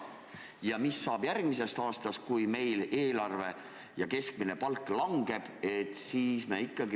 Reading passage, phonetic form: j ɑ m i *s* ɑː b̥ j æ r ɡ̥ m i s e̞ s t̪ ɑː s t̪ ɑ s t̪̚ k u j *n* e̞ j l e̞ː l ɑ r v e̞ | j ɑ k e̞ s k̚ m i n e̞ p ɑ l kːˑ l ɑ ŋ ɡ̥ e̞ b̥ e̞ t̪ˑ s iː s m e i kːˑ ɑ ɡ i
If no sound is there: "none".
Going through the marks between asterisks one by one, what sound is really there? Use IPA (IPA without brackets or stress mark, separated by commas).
sː, m